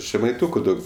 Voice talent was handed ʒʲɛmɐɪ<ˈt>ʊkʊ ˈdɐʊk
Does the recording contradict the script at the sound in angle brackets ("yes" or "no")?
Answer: no